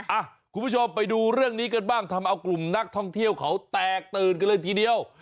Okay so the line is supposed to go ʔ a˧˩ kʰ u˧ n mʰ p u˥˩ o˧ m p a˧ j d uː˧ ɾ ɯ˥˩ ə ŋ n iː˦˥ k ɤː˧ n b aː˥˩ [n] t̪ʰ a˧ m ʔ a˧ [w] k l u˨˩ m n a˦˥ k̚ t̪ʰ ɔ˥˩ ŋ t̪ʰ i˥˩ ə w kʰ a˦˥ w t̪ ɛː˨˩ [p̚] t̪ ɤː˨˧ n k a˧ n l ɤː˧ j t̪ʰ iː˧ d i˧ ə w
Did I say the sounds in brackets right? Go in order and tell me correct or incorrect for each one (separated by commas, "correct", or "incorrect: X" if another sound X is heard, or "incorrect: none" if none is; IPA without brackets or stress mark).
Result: incorrect: ŋ, correct, incorrect: k̚